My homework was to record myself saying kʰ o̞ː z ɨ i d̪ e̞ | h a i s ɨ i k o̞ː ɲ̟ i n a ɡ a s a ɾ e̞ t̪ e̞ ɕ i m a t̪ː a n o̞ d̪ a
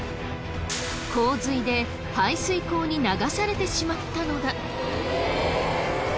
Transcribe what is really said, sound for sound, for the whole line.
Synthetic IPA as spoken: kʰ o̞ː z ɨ i d̪ e̞ | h a i s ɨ i k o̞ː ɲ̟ i n a ɡ a s a ɾ e̞ t̪ e̞ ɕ i m a t̪ː a n o̞ d̪ a